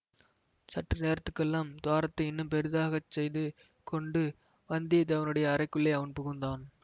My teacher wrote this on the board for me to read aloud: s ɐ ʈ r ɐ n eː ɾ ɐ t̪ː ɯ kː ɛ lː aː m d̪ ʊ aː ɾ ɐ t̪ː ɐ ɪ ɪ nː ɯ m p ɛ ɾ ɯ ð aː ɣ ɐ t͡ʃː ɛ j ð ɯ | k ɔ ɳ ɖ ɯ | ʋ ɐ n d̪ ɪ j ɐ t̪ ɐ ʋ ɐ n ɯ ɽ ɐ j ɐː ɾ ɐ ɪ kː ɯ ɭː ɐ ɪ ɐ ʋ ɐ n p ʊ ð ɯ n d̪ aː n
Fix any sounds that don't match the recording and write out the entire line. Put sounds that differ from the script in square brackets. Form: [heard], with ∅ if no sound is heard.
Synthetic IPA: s ɐ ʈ r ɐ n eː ɾ ɐ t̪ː ɯ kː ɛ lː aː m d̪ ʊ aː ɾ ɐ t̪ː ɐ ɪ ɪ nː ɯ m p ɛ ɾ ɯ ð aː ɣ ɐ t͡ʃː ɛ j ð ɯ | k ɔ ɳ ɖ ɯ | ʋ ɐ n d̪ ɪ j ɐ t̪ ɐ ʋ ɐ n ɯ ɽ ɐ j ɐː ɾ ɐ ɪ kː ɯ ɭː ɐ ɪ ɐ ʋ ɐ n p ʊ [ɣ] ɯ n d̪ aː n